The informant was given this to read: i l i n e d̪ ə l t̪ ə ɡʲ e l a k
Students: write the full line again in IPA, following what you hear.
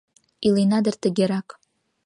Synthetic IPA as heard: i l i n a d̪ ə r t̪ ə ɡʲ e ɾ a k